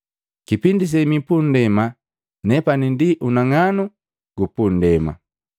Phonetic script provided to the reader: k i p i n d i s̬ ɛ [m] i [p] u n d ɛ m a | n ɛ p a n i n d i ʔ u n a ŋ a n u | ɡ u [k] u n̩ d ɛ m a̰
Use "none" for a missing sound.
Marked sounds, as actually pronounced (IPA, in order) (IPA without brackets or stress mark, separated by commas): m, p, p